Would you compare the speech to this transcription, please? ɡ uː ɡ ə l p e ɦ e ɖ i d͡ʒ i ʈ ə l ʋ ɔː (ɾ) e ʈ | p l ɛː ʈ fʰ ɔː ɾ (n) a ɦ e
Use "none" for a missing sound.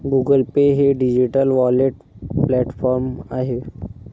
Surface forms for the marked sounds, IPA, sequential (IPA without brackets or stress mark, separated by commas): l, m